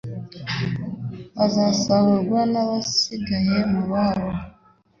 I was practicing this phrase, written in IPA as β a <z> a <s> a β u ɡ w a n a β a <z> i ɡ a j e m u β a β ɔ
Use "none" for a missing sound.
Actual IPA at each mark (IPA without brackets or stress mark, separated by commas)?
z, s, s